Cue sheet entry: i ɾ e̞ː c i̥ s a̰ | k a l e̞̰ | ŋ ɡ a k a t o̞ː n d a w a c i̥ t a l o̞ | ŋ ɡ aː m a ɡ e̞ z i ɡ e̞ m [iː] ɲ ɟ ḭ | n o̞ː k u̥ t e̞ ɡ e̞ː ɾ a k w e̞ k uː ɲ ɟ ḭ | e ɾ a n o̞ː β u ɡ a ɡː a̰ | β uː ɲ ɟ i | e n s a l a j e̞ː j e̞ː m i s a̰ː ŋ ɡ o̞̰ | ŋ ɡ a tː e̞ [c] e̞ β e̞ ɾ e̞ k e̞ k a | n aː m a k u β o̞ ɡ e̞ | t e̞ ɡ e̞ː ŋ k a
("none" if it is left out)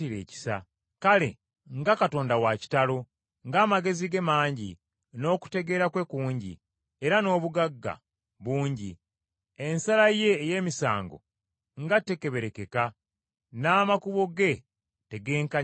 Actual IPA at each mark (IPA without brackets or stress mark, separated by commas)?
aː, k